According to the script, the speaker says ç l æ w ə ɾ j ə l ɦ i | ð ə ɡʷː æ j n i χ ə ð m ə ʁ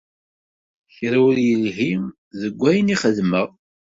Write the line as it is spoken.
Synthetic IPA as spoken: ç ɾ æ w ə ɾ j ə l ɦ i | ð ə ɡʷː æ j n i χ ə ð m ə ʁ

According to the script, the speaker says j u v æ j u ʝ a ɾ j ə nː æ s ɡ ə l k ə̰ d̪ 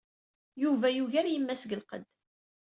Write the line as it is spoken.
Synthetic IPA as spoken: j u v æ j u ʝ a ɾ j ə mː æ s ɡ ə l q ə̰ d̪

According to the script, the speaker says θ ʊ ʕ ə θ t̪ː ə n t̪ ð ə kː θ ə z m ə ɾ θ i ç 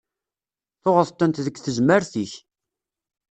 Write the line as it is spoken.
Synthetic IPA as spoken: θ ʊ ʁ ə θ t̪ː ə n t̪ ð ə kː θ ə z m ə ɾ θ i ç

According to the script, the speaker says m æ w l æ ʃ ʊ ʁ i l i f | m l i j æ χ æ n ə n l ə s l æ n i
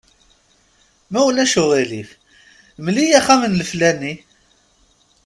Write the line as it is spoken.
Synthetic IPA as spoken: m æ w l æ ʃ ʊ ʁ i l i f | m l i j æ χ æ m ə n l ə f l æ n i

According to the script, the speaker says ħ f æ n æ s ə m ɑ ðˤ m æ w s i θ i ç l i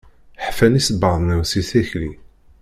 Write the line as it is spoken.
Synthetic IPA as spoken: ħ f æ n i s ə b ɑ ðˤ n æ w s i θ æ ç l i

